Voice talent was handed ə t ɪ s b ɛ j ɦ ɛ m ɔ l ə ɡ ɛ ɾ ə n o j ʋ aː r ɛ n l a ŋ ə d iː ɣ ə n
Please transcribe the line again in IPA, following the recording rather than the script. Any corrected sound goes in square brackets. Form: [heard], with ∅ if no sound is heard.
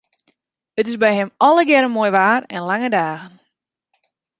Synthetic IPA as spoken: ə t ɪ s b ɛ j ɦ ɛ m ɔ l ə ɡ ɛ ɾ ə [m] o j ʋ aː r ɛ n l a ŋ ə d [aː] ɣ ə n